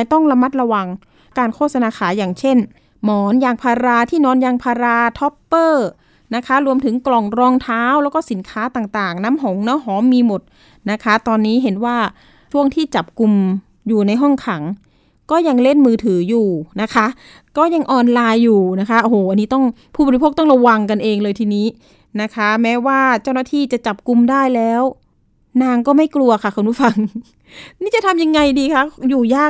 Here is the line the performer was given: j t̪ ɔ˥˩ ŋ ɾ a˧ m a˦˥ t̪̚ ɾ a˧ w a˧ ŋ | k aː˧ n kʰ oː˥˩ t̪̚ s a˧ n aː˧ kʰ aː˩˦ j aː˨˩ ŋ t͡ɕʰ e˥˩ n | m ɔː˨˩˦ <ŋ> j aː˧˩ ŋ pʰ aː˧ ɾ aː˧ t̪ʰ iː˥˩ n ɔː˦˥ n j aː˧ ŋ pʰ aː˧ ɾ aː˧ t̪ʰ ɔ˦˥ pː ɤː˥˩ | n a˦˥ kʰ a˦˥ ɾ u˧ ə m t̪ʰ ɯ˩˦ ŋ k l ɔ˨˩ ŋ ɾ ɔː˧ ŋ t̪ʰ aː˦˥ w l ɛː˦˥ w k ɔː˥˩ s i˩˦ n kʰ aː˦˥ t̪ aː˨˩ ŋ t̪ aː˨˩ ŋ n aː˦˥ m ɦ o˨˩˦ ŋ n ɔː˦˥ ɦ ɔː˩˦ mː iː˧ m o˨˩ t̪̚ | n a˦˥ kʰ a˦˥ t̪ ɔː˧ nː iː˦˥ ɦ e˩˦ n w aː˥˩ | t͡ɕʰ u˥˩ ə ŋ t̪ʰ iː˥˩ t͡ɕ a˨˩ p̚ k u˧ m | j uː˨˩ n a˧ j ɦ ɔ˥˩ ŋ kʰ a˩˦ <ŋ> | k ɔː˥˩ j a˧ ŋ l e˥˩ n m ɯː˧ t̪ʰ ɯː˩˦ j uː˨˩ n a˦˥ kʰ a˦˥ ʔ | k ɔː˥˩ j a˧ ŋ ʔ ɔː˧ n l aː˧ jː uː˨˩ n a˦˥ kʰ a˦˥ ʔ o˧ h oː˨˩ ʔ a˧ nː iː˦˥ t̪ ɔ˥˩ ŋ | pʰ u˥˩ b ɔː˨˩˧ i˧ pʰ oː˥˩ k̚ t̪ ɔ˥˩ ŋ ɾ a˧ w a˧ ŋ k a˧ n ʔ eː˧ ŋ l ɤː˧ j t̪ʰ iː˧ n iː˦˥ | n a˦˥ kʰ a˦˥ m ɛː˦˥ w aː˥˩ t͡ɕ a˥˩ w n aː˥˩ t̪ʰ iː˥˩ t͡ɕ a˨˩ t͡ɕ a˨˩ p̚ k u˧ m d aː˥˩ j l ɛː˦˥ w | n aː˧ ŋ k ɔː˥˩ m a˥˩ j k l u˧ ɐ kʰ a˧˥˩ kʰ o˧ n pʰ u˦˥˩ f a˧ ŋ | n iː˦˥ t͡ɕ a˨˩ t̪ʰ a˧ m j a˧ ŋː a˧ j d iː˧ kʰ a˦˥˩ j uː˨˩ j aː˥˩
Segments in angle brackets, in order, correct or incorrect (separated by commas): incorrect, correct